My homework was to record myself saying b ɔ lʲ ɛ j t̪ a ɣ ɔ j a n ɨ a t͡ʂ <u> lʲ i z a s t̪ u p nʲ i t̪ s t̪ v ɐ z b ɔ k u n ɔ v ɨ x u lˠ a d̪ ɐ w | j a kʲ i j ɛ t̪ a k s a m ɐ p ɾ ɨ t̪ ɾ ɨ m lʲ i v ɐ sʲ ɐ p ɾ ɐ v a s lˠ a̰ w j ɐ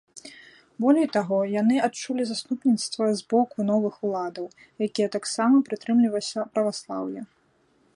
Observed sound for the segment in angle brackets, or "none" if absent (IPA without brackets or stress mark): u